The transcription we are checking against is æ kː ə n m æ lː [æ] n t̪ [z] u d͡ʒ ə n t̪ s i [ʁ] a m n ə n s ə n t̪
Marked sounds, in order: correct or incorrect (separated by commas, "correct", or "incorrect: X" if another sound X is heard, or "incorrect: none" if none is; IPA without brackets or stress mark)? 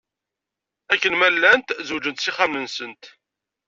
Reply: correct, correct, incorrect: χ